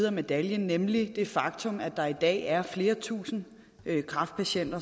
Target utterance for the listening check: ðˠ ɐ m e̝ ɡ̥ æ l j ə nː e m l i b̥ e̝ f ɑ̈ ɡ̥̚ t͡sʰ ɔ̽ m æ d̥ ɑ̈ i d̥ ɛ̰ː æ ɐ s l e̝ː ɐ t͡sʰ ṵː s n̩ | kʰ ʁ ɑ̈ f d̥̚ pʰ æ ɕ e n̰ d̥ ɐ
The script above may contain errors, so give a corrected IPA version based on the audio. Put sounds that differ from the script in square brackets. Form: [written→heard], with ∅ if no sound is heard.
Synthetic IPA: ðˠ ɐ m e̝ [ɡ̥→d̥] æ l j ə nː e m l i [b̥→d̥] e̝ f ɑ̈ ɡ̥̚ t͡sʰ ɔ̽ m æ d̥ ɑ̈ i d̥ ɛ̰ː æ ɐ [s→f] l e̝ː ɐ t͡sʰ ṵː s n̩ | kʰ ʁ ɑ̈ f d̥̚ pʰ æ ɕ e n̰ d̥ ɐ

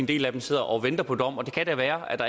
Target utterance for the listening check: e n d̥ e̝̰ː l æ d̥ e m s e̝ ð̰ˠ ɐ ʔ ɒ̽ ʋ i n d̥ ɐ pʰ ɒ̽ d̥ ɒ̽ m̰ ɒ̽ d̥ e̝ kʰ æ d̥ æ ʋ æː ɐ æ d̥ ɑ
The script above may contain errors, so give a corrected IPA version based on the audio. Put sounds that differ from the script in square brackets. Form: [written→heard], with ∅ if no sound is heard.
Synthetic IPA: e n d̥ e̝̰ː l æ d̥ e m s e̝ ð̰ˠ ɐ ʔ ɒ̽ ʋ [i→e] n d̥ ɐ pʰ ɒ̽ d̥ ɒ̽ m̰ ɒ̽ d̥ e̝ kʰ æ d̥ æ ʋ æː ɐ æ d̥ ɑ

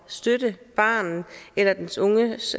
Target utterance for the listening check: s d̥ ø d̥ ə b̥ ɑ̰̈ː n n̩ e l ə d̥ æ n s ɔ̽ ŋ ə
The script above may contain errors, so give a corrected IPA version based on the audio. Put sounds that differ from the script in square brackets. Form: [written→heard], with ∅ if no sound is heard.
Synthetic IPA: s d̥ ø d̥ ə b̥ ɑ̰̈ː n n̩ e l [ə→ɐ] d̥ [æ→e] n s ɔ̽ ŋ ə

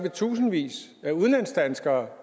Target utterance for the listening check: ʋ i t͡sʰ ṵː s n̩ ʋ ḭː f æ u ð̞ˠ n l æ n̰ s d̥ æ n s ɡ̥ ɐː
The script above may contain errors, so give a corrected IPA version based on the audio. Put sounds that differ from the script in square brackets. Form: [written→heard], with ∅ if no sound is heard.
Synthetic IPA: ʋ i t͡sʰ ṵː s n̩ ʋ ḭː [f→s] æ u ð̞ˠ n l æ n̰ s d̥ æ n s ɡ̥ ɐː

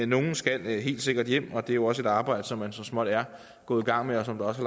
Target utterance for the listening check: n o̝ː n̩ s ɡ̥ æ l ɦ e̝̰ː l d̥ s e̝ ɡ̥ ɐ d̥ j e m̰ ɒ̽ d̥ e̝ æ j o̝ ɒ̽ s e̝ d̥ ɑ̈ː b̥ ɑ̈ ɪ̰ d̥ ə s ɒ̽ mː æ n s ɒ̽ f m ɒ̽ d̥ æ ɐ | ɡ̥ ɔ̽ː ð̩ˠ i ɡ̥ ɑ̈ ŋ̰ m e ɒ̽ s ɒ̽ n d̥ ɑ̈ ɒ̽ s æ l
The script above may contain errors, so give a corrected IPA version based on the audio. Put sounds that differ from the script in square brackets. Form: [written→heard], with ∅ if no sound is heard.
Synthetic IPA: n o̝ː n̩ s ɡ̥ æ l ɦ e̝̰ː l d̥ s e̝ ɡ̥ ɐ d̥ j e m̰ ɒ̽ d̥ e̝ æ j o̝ ɒ̽ s e̝ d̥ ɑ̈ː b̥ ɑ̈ ɪ̰ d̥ ə s ɒ̽ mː æ n s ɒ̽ [f→s] m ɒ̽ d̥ æ ɐ | ɡ̥ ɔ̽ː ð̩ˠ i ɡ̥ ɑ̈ ŋ̰ m e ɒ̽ s ɒ̽ [n→m] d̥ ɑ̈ ɒ̽ s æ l

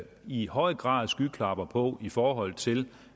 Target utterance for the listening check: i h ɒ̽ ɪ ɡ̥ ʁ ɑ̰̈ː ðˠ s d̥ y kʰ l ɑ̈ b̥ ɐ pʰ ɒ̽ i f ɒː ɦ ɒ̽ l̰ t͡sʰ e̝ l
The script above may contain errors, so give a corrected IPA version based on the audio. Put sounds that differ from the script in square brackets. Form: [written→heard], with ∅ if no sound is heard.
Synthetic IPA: i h ɒ̽ ɪ ɡ̥ ʁ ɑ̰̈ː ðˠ s [d̥→ɡ̥] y kʰ l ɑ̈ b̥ ɐ pʰ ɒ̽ i f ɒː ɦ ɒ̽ l̰ t͡sʰ e̝ l

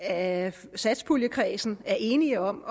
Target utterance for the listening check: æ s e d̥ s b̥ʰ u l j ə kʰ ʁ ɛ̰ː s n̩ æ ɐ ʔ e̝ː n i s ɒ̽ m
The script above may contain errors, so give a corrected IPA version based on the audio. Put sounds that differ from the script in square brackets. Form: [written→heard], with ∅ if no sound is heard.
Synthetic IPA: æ s [e→æ] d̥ s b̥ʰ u l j ə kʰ ʁ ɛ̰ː s n̩ æ ɐ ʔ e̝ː n i [s→∅] ɒ̽ m

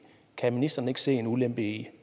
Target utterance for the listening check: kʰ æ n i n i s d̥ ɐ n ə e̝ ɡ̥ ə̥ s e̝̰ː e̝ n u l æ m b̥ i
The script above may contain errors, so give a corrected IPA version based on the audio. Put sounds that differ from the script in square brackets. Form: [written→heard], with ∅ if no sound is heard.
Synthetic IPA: kʰ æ [n→m] i n i s d̥ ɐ n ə e̝ ɡ̥ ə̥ s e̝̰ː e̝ n u l [æ→e] m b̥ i

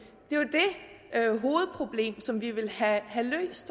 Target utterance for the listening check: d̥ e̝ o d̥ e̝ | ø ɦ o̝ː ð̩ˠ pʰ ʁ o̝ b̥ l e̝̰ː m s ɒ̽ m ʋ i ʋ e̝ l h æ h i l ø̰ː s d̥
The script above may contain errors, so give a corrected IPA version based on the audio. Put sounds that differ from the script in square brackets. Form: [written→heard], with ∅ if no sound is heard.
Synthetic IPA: d̥ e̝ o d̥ e̝ | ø ɦ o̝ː ð̩ˠ pʰ ʁ o̝ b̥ l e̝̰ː m s ɒ̽ m ʋ i ʋ e̝ l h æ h [i→æ] l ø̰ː s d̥

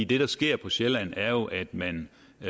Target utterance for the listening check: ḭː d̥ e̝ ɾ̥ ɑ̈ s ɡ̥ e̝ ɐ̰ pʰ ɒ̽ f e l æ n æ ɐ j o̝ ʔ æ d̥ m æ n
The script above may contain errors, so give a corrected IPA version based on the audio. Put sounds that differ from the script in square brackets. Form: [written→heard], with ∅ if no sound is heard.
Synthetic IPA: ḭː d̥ e̝ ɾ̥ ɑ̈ s ɡ̥ e̝ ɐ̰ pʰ ɒ̽ [f→ɕ] e l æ n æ ɐ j o̝ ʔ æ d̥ m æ n

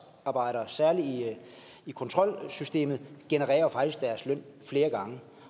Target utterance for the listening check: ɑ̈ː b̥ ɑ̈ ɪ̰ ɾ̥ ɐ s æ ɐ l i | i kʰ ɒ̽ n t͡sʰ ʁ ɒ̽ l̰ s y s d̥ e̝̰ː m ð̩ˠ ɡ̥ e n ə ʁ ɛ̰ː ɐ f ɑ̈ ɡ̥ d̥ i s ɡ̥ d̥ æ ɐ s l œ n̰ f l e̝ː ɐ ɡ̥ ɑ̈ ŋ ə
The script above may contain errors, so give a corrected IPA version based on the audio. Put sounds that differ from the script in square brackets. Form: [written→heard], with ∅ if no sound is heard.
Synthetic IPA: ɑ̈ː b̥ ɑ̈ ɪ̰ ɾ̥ ɐ s æ ɐ l i | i kʰ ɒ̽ n t͡sʰ ʁ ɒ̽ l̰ s y s d̥ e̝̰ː m ð̩ˠ ɡ̥ e n ə ʁ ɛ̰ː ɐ f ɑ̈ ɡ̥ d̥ i s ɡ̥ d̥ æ ɐ s l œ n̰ f l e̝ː ɐ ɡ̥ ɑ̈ ŋ ə

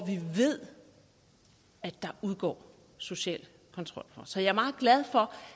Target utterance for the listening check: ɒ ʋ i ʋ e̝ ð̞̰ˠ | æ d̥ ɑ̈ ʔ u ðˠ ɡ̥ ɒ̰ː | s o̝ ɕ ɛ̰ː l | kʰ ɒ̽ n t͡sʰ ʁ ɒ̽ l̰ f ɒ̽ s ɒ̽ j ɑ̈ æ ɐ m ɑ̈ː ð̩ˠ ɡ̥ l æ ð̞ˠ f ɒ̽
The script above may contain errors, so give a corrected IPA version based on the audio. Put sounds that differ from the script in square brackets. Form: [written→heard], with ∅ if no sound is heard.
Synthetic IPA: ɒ ʋ i ʋ e̝ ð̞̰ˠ | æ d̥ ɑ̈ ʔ u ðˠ ɡ̥ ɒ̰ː | s o̝ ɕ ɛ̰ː l | kʰ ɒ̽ n t͡sʰ ʁ ɒ̽ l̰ f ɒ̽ s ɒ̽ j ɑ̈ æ ɐ m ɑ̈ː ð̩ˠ ɡ̥ l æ ð̞ˠ f ɒ̽

